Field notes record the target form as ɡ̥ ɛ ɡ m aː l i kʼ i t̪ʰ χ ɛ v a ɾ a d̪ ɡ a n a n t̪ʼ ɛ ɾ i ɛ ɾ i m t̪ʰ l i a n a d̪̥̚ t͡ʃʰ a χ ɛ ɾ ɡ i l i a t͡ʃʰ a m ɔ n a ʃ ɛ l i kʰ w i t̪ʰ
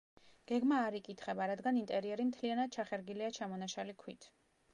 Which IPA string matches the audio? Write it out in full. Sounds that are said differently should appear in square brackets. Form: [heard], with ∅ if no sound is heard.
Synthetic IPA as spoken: ɡ̥ ɛ ɡ m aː [ɾ] i kʼ i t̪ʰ χ ɛ [b] a ɾ a d̪ ɡ a n [i] n t̪ʼ ɛ ɾ i ɛ ɾ i m t̪ʰ l i a n a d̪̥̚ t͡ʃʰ a χ ɛ ɾ ɡ i l i a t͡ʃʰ a m ɔ n a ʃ [a] l i kʰ w i t̪ʰ